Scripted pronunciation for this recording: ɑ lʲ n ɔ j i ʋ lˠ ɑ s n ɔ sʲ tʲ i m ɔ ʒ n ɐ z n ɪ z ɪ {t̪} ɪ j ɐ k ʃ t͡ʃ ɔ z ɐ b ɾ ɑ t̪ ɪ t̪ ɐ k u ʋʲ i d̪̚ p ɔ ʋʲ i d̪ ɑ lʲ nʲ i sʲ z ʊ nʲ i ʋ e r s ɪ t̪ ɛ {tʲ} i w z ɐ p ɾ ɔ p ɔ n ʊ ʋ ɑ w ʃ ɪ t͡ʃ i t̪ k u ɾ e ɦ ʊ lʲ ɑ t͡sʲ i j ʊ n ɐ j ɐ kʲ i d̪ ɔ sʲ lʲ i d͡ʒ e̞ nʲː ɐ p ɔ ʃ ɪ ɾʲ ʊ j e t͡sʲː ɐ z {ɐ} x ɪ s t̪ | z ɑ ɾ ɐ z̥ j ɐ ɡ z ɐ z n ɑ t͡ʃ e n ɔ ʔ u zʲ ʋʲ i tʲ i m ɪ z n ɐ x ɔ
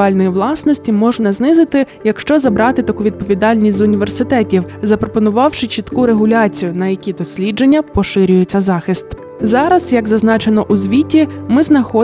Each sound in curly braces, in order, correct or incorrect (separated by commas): correct, correct, incorrect